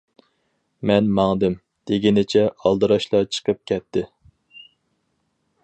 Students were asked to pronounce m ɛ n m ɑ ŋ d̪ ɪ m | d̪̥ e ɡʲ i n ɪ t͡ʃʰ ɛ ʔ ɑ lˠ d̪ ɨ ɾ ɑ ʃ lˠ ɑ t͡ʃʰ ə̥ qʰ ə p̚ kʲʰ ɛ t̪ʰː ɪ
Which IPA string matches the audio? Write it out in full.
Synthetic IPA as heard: m ɛ n m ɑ ŋ d̪ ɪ m | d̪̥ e ɡʲ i n ɪ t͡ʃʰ ɛ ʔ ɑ lˠ d̪ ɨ ɾ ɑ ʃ lˠ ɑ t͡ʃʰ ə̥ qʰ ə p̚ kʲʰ ɛ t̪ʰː ɪ

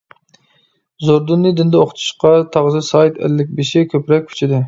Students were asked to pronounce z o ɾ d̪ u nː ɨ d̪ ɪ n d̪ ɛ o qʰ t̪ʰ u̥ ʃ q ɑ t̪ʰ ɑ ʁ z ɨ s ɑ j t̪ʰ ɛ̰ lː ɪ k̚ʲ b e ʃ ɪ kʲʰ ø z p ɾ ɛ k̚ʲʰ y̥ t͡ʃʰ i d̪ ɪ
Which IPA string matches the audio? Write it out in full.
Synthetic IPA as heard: z o ɾ d̪ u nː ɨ d̪ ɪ n d̪ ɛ o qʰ t̪ʰ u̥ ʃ q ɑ t̪ʰ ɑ ʁ z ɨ s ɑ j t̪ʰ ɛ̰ lː ɪ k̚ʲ b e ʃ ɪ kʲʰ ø p ɾ ɛ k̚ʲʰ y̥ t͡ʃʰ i d̪ ɪ

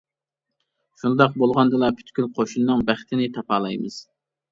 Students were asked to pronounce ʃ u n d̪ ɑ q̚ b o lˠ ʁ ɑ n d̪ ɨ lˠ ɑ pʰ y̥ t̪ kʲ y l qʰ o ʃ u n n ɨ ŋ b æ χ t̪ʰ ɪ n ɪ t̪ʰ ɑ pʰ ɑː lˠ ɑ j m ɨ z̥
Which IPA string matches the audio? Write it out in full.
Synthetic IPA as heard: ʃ u n d̪ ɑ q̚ b o lˠ ʁ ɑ n d̪ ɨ lˠ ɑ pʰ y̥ t̪ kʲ y l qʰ o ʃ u n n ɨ ŋ b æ χ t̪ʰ ɪ n ɪ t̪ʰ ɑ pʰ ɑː lˠ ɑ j m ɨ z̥

